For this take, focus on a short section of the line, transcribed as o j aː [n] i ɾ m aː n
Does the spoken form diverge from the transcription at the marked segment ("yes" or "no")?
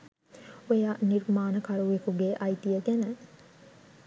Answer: no